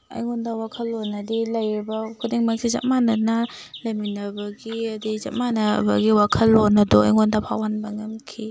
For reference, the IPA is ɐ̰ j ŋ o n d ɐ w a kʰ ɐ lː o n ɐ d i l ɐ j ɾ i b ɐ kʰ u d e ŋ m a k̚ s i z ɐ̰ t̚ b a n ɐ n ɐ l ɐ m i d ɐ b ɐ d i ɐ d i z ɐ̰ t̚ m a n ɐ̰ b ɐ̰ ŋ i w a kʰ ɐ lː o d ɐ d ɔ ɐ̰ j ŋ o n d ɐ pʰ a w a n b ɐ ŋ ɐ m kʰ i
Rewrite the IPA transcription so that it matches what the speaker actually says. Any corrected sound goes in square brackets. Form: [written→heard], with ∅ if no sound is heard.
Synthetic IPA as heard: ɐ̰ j ŋ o n d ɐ w a kʰ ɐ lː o n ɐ d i l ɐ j ɾ i b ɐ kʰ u d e ŋ m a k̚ s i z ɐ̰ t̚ [b→m] a n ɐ n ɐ l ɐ m i [d→n] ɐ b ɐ [d→ɡ] i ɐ d i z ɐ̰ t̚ m a n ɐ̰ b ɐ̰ [ŋ→ɡ] i w a kʰ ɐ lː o [d→n] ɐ d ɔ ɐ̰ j ŋ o n d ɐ pʰ a w a n b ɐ ŋ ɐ m kʰ i